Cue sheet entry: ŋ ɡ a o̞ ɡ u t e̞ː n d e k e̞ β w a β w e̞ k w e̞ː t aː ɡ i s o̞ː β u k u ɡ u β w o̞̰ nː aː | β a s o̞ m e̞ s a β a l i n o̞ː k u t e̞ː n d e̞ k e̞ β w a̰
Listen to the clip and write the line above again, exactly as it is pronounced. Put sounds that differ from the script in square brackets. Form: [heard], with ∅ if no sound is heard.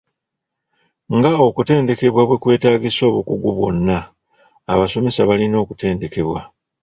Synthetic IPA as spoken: ŋ ɡ a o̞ [k] u t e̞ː n d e k e̞ β w a β w e̞ k w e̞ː t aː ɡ i s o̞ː β u k u ɡ u β w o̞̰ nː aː | β a s o̞ m e̞ s a β a l i n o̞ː k u t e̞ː n d e̞ k e̞ β w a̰